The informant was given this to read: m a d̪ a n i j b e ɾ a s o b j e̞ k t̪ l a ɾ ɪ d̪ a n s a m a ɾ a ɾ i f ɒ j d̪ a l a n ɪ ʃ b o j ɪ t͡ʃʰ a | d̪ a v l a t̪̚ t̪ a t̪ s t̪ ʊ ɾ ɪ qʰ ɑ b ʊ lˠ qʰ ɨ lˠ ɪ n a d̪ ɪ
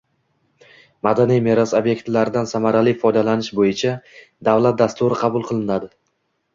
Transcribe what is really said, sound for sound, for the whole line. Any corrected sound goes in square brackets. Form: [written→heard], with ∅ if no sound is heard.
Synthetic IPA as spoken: m a d̪ a n i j [b→m] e ɾ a s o b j e̞ k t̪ l a ɾ ɪ d̪ a n s a m a ɾ a [ɾ→l] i f ɒ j d̪ a l a n ɪ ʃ b o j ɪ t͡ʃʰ a | d̪ a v l a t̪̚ [t̪→d̪] a [t̪→∅] s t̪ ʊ ɾ ɪ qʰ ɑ b ʊ lˠ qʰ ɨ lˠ ɪ n a d̪ ɪ